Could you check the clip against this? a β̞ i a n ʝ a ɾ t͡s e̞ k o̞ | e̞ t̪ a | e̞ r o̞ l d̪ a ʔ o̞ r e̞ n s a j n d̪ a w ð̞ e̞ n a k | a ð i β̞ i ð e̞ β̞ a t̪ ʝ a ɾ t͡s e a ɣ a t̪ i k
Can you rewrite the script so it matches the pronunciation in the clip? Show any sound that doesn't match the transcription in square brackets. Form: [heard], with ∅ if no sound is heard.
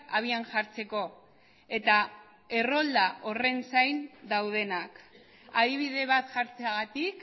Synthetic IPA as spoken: a β̞ i a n ʝ a ɾ t͡s e̞ k o̞ | e̞ t̪ a | e̞ r o̞ l d̪ a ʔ o̞ r e̞ n s a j n d̪ a w ð̞ e̞ n a k | a ð i β̞ i ð e̞ β̞ a t̪ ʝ a ɾ t͡s e a ɣ a t̪ i k

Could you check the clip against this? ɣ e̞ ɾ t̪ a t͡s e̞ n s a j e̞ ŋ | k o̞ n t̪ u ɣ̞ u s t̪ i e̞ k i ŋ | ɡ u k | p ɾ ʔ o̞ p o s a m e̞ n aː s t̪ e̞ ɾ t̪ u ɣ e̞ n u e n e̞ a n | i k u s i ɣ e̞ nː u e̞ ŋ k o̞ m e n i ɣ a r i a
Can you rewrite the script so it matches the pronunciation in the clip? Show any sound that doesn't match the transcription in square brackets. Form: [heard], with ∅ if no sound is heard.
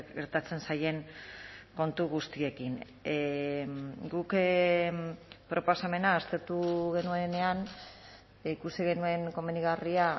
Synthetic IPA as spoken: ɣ e̞ ɾ t̪ a t͡s e̞ n s a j e̞ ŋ | k o̞ n t̪ u ɣ̞ u s t̪ i e̞ k i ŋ | ɡ u k | p ɾ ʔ o̞ p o s a m e̞ n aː s t̪ e̞ ɾ t̪ u ɣ e̞ n u e n e̞ a n | i k u s i ɣ e̞ [n] u e̞ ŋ k o̞ m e n i ɣ a r i a

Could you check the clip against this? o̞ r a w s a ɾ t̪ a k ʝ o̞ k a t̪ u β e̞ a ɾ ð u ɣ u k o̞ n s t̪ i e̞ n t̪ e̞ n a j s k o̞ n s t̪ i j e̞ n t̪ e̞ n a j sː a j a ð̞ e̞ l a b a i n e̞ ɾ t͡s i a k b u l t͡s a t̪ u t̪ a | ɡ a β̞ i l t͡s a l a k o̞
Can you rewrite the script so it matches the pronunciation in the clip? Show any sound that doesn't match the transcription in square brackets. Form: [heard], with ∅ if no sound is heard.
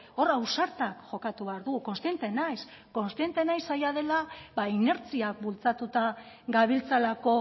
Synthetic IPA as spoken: o̞ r a w s a ɾ t̪ a k ʝ o̞ k a t̪ u β e̞ a ɾ ð u ɣ u k o̞ n s t̪ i e̞ n t̪ e̞ n a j s k o̞ n s t̪ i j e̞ n t̪ e̞ n a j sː a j a ð̞ e̞ l a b a i n e̞ ɾ t͡s i a k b u l t͡s a t̪ u t̪ a | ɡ a β̞ i l t͡s a l a k o̞

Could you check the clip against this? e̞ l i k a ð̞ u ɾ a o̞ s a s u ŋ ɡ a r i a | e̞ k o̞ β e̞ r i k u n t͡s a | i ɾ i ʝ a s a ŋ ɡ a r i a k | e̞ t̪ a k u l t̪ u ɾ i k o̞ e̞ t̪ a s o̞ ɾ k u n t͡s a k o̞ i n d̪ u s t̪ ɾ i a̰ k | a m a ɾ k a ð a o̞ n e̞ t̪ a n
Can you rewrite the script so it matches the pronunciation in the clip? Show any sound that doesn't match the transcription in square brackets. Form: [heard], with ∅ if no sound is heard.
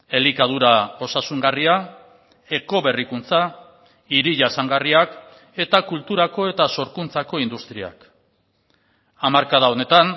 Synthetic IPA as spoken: e̞ l i k a ð̞ u ɾ a o̞ s a s u ŋ ɡ a r i a | e̞ k o̞ β e̞ r i k u n t͡s a | i ɾ i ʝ a s a ŋ ɡ a r i a k | e̞ t̪ a k u l t̪ u ɾ [a] k o̞ e̞ t̪ a s o̞ ɾ k u n t͡s a k o̞ i n d̪ u s t̪ ɾ i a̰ k | a m a ɾ k a ð a o̞ n e̞ t̪ a n

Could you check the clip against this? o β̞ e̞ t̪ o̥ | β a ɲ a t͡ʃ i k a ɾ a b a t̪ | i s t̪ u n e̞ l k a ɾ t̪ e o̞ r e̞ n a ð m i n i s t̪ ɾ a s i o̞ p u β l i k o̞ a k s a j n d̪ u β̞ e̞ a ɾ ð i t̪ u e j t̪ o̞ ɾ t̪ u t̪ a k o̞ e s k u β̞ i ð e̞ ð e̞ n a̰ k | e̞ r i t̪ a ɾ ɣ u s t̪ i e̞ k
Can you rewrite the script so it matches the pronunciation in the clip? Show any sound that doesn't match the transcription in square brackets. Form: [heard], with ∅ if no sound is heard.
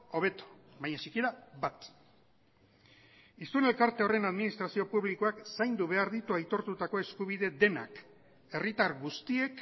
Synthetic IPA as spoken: o β̞ e̞ t̪ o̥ | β a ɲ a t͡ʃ i k [i] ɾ a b a t̪ | i s t̪ u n e̞ l k a ɾ t̪ e o̞ r e̞ n a ð m i n i s t̪ ɾ a s i o̞ p u β l i k o̞ a k s a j n d̪ u β̞ e̞ a ɾ ð i t̪ u [a] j t̪ o̞ ɾ t̪ u t̪ a k o̞ e s k u β̞ i ð e̞ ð e̞ n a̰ k | e̞ r i t̪ a ɾ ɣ u s t̪ i e̞ k

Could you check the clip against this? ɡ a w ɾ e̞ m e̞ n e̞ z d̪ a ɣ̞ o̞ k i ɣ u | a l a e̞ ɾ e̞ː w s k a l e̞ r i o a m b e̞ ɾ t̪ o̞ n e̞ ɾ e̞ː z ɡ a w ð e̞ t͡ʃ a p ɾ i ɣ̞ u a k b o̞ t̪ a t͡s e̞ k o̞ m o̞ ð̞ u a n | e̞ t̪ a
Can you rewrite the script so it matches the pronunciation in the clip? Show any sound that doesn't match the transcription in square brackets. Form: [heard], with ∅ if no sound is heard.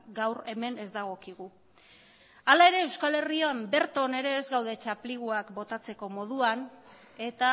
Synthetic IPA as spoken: ɡ a w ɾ e̞ m e̞ n e̞ z d̪ a ɣ̞ o̞ k i ɣ u | a l a e̞ ɾ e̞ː w s k a l e̞ r i o a m b e̞ ɾ t̪ o̞ n e̞ ɾ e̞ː z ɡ a w ð e̞ t͡ʃ a p [l] i ɣ̞ u a k b o̞ t̪ a t͡s e̞ k o̞ m o̞ ð̞ u a n | e̞ t̪ a

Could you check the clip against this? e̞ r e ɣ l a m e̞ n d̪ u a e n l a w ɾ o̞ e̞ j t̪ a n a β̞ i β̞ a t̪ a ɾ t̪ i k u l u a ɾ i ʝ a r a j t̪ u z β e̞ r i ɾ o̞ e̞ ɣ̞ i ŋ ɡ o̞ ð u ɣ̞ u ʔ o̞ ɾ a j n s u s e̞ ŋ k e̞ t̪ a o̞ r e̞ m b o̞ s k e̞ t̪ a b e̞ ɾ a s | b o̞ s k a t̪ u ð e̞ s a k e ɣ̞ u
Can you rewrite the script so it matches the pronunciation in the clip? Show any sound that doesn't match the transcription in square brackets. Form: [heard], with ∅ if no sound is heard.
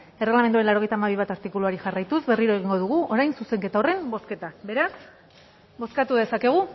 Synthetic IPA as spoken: e̞ r e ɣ l a m e̞ n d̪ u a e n l a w ɾ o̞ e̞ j t̪ a [m] a β̞ i β̞ a t̪ a ɾ t̪ i k u l u a ɾ i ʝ a r a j t̪ u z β e̞ r i ɾ o̞ e̞ ɣ̞ i ŋ ɡ o̞ ð u ɣ̞ u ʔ o̞ ɾ a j n s u s e̞ ŋ k e̞ t̪ a o̞ r e̞ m b o̞ s k e̞ t̪ a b e̞ ɾ a s | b o̞ s k a t̪ u ð e̞ s a k e ɣ̞ u

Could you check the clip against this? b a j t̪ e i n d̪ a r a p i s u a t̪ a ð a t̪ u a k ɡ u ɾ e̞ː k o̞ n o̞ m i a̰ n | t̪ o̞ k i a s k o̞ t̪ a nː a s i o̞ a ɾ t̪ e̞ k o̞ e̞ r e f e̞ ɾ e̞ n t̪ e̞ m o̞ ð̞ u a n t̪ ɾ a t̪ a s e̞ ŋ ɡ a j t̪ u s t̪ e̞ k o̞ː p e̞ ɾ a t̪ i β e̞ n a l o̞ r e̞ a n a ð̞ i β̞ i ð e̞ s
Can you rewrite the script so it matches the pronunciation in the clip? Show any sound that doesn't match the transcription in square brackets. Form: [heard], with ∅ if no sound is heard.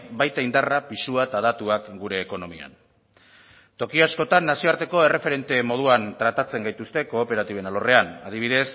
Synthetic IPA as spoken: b a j t̪ [a] i n d̪ a r a p i s u a t̪ a ð a t̪ u a k ɡ u ɾ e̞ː k o̞ n o̞ m i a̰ n | t̪ o̞ k i a s k o̞ t̪ a nː a s i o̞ a ɾ t̪ e̞ k o̞ e̞ r e f e̞ ɾ e̞ n t̪ e̞ m o̞ ð̞ u a n t̪ ɾ a t̪ a [t͡s] e̞ ŋ ɡ a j t̪ u s t̪ e̞ k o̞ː p e̞ ɾ a t̪ i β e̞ n a l o̞ r e̞ a n a ð̞ i β̞ i ð e̞ s

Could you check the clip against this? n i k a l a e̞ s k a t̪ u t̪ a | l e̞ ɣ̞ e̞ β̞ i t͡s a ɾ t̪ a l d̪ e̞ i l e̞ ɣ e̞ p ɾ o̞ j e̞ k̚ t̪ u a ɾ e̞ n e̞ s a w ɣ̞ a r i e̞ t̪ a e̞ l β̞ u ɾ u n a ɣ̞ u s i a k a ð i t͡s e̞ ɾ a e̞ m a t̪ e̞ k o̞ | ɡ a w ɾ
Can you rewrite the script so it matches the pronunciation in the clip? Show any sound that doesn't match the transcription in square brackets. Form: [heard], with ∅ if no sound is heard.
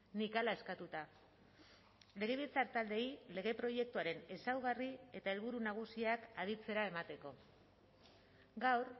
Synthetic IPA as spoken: n i k a l a e̞ s k a t̪ u t̪ a | l e̞ ɣ̞ e̞ β̞ i t͡s a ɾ t̪ a l d̪ e̞ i l e̞ ɣ e̞ p ɾ o̞ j e̞ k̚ t̪ u a ɾ e̞ n e̞ s a w ɣ̞ a r i e̞ t̪ a e̞ l β̞ u ɾ u n a ɣ̞ u s i a k a ð i t͡s e̞ ɾ a e̞ m a t̪ e̞ k o̞ | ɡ a w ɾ

